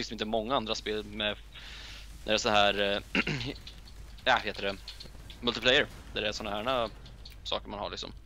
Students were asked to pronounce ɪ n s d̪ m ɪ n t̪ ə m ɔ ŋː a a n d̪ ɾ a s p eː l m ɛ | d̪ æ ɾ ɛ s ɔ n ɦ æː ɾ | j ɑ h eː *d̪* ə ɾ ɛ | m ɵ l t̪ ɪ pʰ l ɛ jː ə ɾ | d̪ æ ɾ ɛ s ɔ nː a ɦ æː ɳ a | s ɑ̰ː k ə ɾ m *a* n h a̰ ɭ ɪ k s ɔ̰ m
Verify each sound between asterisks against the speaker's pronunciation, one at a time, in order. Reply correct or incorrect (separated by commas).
incorrect, correct